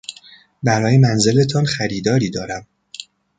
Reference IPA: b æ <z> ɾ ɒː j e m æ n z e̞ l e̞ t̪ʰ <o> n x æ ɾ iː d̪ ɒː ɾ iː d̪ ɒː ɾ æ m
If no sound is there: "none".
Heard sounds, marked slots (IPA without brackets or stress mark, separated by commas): none, ɒ